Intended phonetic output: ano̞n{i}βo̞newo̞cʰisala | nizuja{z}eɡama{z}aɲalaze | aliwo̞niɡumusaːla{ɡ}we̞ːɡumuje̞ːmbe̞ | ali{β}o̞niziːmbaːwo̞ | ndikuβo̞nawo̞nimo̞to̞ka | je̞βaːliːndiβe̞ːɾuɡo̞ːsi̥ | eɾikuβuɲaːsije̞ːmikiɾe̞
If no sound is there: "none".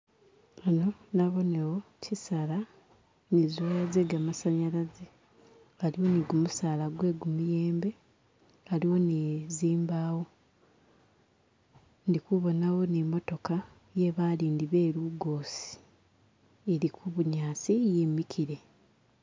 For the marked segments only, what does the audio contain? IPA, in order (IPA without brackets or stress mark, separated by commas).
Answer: a, z, s, ɡ, w